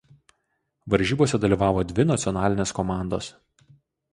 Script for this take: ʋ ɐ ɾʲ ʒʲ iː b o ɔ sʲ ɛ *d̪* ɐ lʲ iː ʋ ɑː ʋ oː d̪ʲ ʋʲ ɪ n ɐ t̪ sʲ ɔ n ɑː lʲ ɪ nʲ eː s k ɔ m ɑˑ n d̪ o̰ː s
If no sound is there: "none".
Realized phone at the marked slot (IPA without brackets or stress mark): d̪